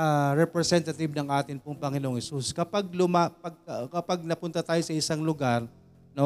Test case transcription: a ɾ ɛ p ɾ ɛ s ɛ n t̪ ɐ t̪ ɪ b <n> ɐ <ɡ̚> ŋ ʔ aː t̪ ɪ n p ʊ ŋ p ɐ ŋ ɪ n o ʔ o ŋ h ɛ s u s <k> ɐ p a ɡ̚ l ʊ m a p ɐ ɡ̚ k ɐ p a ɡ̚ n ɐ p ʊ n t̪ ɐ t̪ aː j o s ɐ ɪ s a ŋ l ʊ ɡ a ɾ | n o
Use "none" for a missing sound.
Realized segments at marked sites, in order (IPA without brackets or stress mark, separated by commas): n, none, k